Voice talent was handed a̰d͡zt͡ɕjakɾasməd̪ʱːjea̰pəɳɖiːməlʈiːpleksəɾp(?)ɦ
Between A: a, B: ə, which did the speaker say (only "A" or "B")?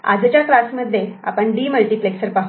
A